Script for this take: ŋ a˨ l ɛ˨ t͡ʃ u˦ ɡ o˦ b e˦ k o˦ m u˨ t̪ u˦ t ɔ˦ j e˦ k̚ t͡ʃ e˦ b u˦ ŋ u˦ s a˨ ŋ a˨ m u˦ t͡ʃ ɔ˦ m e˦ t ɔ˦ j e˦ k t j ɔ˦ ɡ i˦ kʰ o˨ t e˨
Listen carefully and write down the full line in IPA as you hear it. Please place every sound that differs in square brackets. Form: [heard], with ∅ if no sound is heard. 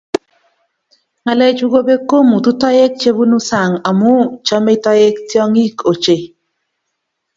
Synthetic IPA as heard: ŋ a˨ l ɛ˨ t͡ʃ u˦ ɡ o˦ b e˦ k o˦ m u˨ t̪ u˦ t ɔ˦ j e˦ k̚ t͡ʃ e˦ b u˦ [n] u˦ s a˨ ŋ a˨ m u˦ t͡ʃ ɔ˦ m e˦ t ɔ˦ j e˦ k t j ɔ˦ [ŋ] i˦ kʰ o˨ [t͡ʃ] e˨

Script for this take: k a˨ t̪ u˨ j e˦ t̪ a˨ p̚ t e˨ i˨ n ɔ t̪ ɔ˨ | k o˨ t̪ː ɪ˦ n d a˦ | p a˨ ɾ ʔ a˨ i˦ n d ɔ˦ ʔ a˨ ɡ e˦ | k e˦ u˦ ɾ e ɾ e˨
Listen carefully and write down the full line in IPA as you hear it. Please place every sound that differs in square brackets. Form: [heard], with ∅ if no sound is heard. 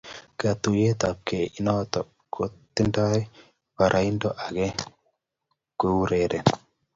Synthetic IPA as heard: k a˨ t̪ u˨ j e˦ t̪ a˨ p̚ [k] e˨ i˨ n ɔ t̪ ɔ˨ | k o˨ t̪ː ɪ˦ n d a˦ | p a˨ ɾ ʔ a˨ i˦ n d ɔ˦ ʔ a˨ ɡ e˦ | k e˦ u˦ ɾ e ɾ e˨

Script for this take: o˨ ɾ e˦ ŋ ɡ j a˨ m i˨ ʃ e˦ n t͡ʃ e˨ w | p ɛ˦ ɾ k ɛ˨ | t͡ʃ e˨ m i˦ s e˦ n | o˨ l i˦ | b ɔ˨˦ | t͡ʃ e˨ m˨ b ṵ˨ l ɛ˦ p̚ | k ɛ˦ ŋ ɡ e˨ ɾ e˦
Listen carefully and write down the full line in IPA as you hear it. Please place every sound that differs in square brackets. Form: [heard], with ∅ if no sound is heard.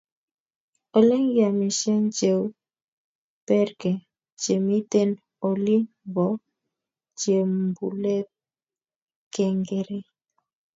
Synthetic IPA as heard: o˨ [l] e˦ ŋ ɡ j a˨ m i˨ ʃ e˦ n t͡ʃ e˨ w | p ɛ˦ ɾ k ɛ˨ | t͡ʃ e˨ m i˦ [t] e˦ n | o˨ l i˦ | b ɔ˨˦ | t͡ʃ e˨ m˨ b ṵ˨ l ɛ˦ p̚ | k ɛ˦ ŋ ɡ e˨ ɾ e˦

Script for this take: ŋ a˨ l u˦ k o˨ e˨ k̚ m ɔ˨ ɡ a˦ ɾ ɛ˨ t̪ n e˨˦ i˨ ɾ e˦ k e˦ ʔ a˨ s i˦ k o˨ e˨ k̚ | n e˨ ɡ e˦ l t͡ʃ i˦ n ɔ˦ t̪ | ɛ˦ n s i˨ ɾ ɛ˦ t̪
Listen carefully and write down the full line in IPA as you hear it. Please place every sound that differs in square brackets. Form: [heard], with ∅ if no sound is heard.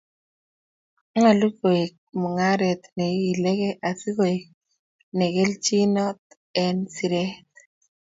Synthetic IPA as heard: ŋ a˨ l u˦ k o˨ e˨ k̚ m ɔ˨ [ŋ] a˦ ɾ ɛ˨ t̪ n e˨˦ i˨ [l] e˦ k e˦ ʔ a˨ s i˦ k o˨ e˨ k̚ | n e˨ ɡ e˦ l t͡ʃ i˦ n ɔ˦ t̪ | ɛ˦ n s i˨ ɾ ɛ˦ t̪

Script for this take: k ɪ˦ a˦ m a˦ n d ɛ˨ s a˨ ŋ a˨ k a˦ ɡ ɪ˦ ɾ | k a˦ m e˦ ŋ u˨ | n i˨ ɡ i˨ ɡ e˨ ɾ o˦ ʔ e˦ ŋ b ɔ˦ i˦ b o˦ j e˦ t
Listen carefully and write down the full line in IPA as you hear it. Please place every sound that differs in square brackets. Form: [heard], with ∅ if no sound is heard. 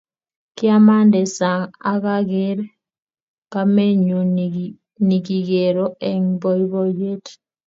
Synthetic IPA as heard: k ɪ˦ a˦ m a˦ n d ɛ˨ s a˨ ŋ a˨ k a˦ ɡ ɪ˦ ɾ | k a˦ m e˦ [ɲ] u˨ | n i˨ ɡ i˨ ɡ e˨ ɾ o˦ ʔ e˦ ŋ b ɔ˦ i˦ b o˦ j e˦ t

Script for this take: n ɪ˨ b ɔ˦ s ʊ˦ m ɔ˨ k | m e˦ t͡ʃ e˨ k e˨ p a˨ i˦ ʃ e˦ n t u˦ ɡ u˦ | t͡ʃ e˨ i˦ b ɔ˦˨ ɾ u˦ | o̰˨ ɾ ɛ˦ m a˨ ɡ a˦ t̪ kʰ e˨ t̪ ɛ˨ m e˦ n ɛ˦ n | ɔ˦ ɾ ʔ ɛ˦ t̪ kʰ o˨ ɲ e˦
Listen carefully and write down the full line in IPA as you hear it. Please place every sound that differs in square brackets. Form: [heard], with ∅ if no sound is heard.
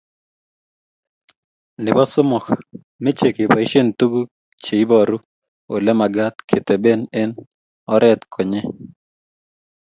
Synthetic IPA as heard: n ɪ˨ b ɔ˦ s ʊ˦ m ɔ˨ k | m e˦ t͡ʃ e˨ k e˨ p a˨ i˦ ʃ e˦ n t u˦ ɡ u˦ | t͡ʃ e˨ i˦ b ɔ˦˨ ɾ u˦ | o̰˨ [l] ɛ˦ m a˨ ɡ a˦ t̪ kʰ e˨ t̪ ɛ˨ [b] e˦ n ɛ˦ n | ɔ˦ ɾ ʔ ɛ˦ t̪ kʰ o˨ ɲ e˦

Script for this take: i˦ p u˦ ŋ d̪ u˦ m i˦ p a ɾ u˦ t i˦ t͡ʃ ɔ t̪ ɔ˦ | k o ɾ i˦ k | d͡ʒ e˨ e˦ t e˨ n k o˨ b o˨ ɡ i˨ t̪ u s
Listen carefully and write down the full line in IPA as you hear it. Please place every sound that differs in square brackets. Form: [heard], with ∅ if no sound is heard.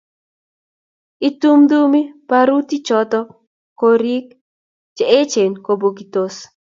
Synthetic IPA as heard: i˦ [t] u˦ [m] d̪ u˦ m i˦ p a ɾ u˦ t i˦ t͡ʃ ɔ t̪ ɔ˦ | k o ɾ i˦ k | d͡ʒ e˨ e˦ [t͡ʃ] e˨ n k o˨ b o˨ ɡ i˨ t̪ [o] s

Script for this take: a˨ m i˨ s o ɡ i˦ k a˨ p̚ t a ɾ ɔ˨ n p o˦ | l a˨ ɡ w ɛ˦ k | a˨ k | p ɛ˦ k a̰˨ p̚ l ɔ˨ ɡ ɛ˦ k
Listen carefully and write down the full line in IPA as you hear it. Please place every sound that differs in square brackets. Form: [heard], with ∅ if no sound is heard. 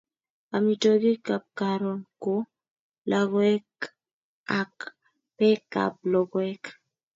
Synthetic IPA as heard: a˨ m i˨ [t] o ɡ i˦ k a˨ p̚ [k] a ɾ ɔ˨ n [k] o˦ | l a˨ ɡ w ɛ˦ k | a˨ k | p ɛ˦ k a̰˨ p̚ l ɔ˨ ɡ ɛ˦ k

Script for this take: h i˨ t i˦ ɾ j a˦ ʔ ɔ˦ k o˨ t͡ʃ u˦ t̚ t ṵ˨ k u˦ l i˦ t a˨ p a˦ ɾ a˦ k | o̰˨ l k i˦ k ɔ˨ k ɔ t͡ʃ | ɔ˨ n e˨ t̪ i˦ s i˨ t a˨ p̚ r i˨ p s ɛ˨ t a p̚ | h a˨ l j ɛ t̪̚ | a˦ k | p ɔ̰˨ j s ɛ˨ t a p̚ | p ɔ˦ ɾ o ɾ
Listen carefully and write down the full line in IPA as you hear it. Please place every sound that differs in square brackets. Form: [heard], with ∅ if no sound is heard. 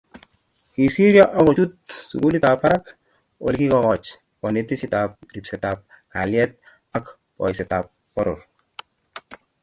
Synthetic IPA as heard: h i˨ [s] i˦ ɾ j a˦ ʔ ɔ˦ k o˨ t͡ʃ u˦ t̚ [s] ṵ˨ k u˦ l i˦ t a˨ p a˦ ɾ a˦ k | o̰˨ l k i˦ k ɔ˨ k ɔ t͡ʃ | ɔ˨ n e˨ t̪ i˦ s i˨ t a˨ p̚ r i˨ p s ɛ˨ t a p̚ | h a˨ l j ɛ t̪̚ | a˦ k | p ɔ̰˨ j s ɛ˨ t a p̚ | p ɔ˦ ɾ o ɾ

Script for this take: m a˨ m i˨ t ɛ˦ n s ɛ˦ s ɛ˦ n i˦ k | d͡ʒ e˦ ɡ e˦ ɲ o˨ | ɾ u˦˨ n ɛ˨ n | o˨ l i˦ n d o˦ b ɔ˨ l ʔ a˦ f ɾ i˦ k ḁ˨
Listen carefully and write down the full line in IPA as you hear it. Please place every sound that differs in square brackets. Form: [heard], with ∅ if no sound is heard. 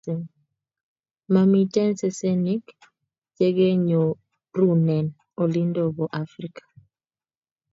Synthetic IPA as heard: m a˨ m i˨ t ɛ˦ n s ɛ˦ s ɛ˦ n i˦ k | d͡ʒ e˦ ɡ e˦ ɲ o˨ | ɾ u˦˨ n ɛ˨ n | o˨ l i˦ n d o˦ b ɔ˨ [∅] ʔ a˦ f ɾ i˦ k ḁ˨

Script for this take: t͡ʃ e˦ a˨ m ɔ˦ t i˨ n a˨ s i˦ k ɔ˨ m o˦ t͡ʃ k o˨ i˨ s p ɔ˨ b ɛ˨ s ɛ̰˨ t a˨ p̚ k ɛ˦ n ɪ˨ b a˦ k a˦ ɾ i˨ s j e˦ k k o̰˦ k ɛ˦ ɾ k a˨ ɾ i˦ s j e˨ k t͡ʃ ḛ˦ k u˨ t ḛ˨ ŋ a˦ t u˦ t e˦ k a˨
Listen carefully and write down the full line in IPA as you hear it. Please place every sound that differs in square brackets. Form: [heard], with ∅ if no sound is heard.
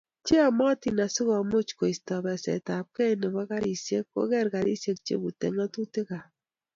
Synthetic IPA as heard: t͡ʃ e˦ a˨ m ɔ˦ t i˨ n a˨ s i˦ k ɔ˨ m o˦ t͡ʃ k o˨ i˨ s [t] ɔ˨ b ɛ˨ s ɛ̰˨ t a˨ p̚ k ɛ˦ n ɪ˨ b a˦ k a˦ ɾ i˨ s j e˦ k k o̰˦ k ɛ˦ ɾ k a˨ ɾ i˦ s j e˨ k t͡ʃ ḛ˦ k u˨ t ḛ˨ ŋ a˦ t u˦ t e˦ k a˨

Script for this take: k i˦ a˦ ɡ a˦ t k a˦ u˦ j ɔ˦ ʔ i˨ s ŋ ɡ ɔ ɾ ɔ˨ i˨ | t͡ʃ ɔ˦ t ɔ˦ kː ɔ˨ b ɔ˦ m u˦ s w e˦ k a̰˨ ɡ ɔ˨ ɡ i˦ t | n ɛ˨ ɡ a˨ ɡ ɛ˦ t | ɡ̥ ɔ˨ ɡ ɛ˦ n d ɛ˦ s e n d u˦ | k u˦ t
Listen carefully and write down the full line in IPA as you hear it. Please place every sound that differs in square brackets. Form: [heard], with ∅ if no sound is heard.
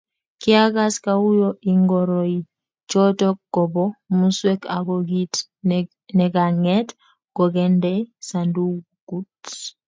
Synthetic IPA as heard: k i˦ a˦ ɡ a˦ [s] k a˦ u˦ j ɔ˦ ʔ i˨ [∅] ŋ ɡ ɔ ɾ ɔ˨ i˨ | t͡ʃ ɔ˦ t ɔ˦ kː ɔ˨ b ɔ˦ m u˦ s w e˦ k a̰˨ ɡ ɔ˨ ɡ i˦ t | n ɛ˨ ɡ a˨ [ŋ] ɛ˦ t | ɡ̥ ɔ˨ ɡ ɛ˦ n d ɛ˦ s [a] n d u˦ | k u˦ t

